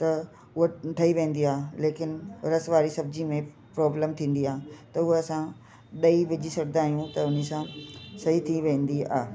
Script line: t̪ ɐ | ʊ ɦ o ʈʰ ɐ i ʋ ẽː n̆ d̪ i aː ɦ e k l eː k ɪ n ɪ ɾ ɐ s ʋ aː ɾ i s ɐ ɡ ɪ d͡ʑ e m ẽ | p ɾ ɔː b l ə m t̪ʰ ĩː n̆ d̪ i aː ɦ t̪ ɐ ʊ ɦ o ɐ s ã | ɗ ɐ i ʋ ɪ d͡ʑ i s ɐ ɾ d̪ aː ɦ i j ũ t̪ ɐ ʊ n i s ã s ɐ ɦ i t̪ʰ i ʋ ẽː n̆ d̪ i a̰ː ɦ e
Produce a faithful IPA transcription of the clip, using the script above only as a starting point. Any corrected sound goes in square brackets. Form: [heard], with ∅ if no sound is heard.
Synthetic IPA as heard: t̪ ɐ | ʊ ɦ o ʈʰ ɐ i ʋ ẽː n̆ d̪ i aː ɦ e [∅] l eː k ɪ n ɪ ɾ ɐ s ʋ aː ɾ i s ɐ [b] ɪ d͡ʑ [i] m ẽ | p ɾ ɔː b l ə m t̪ʰ ĩː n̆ d̪ i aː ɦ t̪ ɐ ʊ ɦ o ɐ s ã | ɗ ɐ i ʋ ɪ d͡ʑ i s ɐ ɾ d̪ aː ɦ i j ũ t̪ ɐ ʊ n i s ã s ɐ ɦ i t̪ʰ i ʋ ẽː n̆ d̪ i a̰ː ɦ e

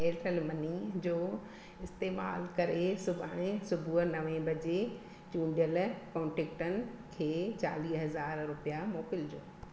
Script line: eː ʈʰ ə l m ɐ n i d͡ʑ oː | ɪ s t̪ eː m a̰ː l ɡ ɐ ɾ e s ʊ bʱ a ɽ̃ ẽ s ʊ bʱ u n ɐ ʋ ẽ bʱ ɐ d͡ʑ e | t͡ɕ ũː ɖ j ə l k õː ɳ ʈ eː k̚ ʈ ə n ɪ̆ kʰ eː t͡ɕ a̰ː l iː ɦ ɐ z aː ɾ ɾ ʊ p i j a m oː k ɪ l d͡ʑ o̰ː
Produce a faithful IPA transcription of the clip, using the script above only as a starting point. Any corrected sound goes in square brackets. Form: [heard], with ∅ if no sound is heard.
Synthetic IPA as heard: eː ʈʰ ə l m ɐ n i d͡ʑ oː | ɪ s t̪ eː m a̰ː l [k] ɐ ɾ e s ʊ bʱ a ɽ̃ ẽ s ʊ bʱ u n ɐ ʋ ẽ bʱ ɐ d͡ʑ e | t͡ɕ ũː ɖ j ə l k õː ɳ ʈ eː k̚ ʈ ə n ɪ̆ kʰ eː t͡ɕ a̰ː l iː ɦ ɐ z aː ɾ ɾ ʊ p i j a m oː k ɪ l d͡ʑ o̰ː

